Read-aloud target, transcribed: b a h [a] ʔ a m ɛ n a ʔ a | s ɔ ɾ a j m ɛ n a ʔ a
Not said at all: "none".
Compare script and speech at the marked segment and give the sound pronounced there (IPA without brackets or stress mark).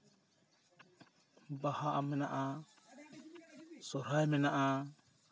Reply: a